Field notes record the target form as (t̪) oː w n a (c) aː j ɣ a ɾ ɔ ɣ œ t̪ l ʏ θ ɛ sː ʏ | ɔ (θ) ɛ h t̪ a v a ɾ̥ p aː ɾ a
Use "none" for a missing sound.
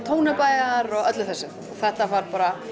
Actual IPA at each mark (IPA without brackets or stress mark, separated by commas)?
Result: t̪ʰ, p, θ